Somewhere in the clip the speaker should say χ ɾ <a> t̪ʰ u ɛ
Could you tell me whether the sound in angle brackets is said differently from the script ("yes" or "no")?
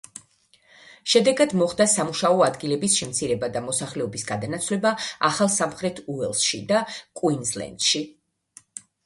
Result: yes